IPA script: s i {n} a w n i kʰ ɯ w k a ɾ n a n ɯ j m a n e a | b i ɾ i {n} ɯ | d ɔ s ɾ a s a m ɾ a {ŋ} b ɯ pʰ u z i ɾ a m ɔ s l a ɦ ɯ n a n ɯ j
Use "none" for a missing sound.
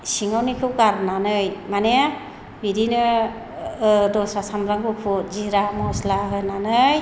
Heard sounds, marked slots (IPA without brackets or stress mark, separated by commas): ŋ, n, ŋ